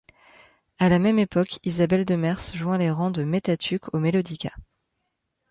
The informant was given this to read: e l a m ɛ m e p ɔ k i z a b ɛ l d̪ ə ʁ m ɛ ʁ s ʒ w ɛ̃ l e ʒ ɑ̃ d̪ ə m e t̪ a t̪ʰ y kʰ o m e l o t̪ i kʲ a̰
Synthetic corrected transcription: a l a m ɛ m e p ɔ k i z a b ɛ l d̪ ə m ɛ ʁ s ʒ w ɛ̃ l e ʁ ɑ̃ d̪ ə m e t̪ a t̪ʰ y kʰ o m e l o d̪ i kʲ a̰